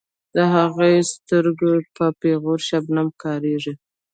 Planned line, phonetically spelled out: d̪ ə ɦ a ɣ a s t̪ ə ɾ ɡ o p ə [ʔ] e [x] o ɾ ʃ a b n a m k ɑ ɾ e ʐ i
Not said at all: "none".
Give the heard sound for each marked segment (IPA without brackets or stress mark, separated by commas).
p, ɣ